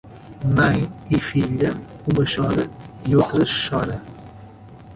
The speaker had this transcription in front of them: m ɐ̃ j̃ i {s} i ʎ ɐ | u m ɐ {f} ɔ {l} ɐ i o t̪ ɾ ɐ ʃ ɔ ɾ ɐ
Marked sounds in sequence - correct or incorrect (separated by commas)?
incorrect, incorrect, incorrect